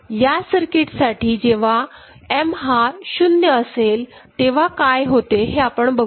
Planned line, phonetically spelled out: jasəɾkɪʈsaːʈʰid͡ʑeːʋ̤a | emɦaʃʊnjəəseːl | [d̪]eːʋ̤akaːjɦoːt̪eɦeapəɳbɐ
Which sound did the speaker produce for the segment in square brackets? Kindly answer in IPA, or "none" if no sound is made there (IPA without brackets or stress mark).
t̪